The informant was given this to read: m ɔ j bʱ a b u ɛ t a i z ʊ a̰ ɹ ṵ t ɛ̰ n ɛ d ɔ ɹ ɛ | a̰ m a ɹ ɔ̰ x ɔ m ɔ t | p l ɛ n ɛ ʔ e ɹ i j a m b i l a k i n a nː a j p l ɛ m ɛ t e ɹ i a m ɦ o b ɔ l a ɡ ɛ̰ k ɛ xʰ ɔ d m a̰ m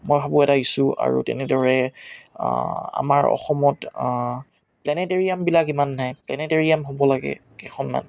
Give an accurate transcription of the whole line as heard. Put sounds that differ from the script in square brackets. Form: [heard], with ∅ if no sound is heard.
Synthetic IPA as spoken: m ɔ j bʱ a b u ɛ t a i [s] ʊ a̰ ɹ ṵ t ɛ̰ n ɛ d ɔ ɹ ɛ | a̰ m a ɹ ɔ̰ x ɔ m ɔ t | p l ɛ n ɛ [t] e ɹ i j a m b i l a k i [m] a nː a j p l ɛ [n] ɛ t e ɹ i a m ɦ o b ɔ l a ɡ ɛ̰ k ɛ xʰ ɔ [n] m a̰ [n]